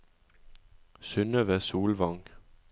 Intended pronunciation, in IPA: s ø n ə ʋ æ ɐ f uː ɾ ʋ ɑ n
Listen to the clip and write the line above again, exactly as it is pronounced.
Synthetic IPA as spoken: s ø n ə ʋ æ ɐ s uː l ʋ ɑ ŋ